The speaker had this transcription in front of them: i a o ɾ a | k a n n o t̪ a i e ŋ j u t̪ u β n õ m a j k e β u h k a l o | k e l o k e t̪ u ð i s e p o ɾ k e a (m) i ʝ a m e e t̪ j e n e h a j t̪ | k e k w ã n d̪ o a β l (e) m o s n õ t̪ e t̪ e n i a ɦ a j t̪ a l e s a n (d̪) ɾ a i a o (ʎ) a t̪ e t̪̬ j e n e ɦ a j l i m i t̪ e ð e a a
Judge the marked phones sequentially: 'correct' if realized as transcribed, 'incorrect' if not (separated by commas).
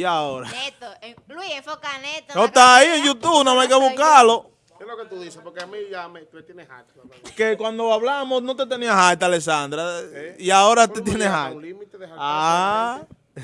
correct, incorrect, correct, incorrect